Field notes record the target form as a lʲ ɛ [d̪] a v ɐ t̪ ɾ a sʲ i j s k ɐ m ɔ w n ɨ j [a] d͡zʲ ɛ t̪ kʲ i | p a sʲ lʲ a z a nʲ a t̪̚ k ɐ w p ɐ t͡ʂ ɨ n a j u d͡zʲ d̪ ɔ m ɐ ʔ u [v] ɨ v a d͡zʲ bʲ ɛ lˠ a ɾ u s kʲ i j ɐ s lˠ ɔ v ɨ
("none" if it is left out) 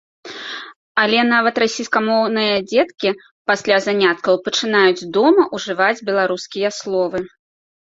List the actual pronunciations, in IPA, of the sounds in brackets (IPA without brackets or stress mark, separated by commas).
n̪, ɐ, ʐ